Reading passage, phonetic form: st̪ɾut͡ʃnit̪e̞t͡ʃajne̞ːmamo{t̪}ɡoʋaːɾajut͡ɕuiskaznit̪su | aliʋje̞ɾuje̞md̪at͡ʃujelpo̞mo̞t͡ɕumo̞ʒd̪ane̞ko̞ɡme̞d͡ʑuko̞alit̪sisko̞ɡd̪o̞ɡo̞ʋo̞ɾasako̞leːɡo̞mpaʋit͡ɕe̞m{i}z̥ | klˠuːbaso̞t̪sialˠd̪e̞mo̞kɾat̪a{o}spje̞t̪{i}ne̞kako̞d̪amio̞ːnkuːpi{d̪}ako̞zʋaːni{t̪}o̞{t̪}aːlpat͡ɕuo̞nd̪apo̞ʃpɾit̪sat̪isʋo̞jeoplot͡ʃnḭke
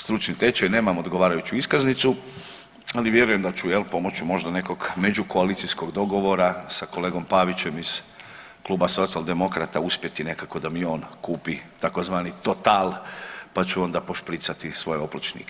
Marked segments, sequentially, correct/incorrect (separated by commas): incorrect, correct, incorrect, correct, incorrect, correct, correct